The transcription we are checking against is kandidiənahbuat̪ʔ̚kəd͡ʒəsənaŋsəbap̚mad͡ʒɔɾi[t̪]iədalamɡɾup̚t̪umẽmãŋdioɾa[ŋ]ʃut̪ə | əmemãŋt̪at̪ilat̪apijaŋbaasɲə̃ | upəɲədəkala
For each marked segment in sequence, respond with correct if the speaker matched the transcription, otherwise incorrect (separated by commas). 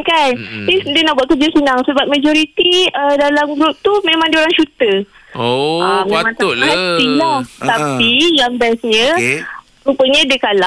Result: correct, correct